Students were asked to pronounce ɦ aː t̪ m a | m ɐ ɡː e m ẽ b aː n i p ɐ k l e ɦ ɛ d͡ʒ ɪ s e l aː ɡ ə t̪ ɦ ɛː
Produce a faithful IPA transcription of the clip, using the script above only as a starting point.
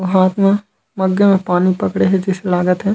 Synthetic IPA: ɦ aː t̪ m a | m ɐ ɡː e m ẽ p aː n i p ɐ k ɽ e ɦ ɛ d͡ʒ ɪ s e l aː ɡ ə t̪ ɦ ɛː

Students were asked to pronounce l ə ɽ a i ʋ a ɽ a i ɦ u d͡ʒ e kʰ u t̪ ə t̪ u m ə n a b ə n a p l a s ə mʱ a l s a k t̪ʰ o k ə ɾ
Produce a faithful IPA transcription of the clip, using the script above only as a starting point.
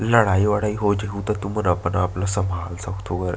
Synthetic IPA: l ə ɽ a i ʋ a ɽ a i ɦ o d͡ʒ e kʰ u t̪ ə t̪ u m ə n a p ə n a p l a s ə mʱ a l s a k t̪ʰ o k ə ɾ

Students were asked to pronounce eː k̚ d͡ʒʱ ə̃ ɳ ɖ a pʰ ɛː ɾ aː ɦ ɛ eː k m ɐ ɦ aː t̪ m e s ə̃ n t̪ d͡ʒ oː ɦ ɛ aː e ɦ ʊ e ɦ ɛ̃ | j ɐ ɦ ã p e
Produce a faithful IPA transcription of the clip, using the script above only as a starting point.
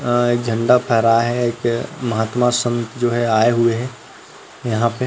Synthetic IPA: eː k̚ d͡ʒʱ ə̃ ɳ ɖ a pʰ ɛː ɾ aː ɦ ɛ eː k m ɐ ɦ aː t̪ m a s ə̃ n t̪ d͡ʒ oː ɦ ɛ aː e ɦ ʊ e ɦ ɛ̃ | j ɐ ɦ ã p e

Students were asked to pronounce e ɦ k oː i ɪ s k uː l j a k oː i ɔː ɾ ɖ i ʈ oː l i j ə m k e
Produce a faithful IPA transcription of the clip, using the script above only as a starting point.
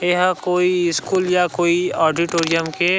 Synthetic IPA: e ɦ k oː i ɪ s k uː l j a k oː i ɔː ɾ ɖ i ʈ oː ɾ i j ə m k e

